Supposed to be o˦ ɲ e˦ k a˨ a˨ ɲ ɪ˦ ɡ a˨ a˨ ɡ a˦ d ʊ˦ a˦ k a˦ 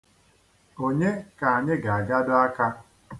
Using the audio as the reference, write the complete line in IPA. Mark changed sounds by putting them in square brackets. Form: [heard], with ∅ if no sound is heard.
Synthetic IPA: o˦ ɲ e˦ k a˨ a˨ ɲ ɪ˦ ɡ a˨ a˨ ɡ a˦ d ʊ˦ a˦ k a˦